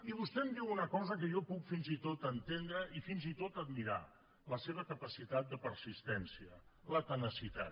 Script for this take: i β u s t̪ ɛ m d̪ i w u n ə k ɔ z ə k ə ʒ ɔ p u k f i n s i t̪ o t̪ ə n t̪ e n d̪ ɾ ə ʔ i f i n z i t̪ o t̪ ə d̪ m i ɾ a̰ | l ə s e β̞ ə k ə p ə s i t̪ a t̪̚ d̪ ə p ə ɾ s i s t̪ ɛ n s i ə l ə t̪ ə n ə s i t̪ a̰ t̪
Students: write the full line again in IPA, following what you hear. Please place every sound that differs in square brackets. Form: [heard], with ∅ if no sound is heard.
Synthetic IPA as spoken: i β u s t̪ ɛ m d̪ i w u n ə k ɔ z ə k ə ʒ ɔ p u k f i n [z] i t̪ o t̪ ə n t̪ e n d̪ ɾ ə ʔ i f i n z i t̪ o t̪ ə d̪ m i ɾ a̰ | l ə s e β̞ ə k ə p ə s i t̪ a t̪̚ d̪ ə p ə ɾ s i s t̪ ɛ n s i ə l ə t̪ ə n ə s i t̪ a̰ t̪